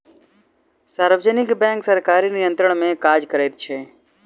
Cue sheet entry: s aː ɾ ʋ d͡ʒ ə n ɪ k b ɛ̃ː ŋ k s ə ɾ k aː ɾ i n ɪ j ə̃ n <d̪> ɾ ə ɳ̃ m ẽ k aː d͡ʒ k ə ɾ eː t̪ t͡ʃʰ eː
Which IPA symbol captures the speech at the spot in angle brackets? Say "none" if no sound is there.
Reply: t̪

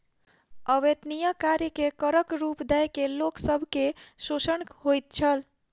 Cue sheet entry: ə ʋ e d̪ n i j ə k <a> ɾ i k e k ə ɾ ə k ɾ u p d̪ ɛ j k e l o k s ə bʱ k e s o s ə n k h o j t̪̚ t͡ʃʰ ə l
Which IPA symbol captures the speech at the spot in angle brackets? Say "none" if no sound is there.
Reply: a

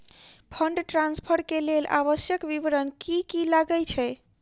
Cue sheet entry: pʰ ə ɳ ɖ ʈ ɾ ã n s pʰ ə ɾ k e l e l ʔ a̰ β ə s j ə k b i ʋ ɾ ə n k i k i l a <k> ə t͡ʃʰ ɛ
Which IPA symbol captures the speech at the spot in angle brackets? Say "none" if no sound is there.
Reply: ɡ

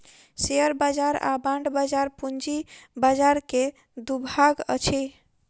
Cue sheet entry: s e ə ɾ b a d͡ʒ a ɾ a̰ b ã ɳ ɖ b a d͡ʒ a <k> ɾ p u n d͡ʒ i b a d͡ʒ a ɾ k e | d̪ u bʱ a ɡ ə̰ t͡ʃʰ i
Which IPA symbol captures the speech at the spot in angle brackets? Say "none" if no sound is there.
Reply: none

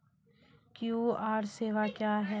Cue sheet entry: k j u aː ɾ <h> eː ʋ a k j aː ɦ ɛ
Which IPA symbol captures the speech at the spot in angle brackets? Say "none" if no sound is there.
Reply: s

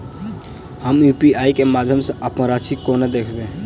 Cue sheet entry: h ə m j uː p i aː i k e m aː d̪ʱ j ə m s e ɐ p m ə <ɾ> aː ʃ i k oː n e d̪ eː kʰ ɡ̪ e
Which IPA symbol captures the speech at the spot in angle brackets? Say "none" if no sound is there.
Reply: ɾ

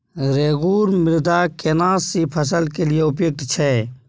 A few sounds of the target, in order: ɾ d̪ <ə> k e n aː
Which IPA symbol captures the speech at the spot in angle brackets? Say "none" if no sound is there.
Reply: a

